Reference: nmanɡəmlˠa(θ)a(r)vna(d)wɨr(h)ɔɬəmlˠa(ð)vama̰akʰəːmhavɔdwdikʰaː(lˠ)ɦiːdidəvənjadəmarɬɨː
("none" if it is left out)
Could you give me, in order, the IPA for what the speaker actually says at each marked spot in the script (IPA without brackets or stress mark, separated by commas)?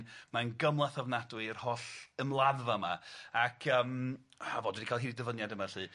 θ, none, d, h, ð, lˠ